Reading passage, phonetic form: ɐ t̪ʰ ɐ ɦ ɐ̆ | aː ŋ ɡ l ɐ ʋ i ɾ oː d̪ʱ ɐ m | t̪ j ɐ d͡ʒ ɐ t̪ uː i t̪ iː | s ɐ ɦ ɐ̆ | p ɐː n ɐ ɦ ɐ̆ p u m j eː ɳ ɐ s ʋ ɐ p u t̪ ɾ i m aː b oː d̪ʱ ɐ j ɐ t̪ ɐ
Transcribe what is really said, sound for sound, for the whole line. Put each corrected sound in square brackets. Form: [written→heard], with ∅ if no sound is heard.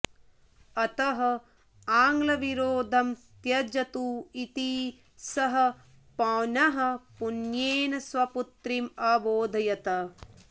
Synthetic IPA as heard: ɐ [t̪ʰ→t̪] ɐ ɦ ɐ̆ | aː ŋ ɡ l ɐ ʋ i ɾ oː d̪ʱ ɐ m | t̪ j ɐ d͡ʒ ɐ t̪ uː i t̪ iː | s ɐ ɦ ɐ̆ | p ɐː n ɐ ɦ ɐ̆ p u [m→n] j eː [ɳ→n] ɐ s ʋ ɐ p u t̪ ɾ i m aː b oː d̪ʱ ɐ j ɐ t̪ ɐ